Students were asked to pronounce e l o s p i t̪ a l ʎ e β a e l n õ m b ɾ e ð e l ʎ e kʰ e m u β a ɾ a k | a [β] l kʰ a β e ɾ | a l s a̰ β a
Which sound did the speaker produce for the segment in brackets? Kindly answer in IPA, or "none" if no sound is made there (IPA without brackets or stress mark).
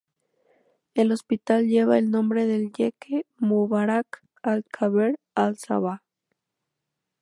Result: none